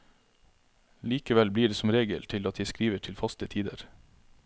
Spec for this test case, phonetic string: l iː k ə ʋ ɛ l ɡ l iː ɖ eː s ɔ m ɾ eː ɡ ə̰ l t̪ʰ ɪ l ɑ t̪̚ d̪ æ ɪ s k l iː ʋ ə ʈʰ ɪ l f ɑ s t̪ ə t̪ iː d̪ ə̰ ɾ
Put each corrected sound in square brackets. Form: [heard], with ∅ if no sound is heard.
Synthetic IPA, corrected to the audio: l iː k ə ʋ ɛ l [b] l iː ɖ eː s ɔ m ɾ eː ɡ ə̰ l t̪ʰ ɪ l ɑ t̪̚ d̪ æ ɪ s k [ɾ] iː ʋ ə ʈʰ ɪ l f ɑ s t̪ ə [t̪ʰ] iː d̪ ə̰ ɾ

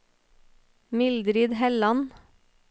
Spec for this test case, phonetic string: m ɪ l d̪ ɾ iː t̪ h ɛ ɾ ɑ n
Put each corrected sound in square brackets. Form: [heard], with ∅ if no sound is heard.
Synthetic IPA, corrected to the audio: m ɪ l d̪ ɾ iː [d̪] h ɛ [l] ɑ n

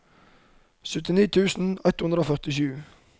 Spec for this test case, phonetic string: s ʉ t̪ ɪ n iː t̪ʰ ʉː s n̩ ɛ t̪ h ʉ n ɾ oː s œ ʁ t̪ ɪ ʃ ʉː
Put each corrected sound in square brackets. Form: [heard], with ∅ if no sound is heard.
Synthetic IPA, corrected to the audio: s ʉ t̪ ɪ n iː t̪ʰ ʉː s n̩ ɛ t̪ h ʉ n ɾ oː [f] œ ʁ t̪ ɪ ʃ ʉː

